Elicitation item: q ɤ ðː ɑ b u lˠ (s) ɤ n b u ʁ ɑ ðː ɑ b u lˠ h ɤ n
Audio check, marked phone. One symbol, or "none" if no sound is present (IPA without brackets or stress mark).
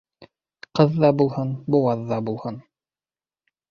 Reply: h